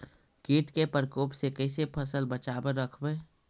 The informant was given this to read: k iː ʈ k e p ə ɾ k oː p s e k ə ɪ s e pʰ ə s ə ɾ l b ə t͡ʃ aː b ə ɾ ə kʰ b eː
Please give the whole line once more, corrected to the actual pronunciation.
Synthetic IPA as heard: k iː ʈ k e p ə ɾ k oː p s e k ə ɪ s e pʰ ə s ə l b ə t͡ʃ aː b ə ɾ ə kʰ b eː